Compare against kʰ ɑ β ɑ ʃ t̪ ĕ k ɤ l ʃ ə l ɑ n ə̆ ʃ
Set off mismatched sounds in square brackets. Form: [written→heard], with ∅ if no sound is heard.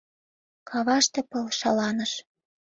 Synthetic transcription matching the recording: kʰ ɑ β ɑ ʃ t̪ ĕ [k→p] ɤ l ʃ [ə→ɑ] l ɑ n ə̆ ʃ